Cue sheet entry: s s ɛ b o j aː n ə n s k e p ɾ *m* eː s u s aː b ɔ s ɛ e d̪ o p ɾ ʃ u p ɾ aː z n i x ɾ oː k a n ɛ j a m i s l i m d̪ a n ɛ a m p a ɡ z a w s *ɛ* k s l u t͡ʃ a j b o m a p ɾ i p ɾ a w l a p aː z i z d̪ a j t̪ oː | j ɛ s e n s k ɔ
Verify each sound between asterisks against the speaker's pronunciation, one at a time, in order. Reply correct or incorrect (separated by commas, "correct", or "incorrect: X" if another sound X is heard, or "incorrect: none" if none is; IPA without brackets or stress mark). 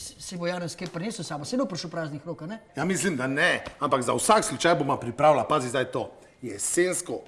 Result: incorrect: n, incorrect: a